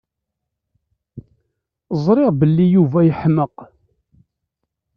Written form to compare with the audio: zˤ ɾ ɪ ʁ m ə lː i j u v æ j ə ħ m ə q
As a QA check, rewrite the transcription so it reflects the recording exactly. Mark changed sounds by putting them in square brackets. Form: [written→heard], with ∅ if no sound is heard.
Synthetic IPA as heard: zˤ ɾ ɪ ʁ [m→b] ə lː i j u v æ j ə ħ m ə q